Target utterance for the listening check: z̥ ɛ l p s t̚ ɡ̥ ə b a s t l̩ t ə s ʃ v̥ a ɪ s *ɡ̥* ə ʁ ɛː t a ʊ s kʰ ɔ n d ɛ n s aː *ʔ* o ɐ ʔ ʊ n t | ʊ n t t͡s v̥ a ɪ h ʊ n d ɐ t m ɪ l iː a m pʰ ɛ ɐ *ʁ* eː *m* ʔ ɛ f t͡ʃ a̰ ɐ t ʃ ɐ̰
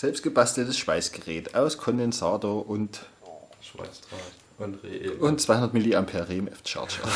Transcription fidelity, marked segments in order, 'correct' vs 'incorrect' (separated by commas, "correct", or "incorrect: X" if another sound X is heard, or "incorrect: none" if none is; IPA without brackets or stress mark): correct, incorrect: t, correct, correct